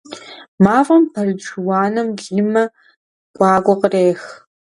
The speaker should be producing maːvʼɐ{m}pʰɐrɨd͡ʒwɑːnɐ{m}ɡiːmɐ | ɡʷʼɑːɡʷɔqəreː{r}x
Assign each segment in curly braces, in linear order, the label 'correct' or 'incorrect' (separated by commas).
correct, correct, incorrect